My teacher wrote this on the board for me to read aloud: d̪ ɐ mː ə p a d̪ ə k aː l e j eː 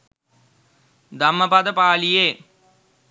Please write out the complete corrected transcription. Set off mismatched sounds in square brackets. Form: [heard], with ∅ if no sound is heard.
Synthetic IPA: d̪ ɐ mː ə p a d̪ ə [p] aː l [i] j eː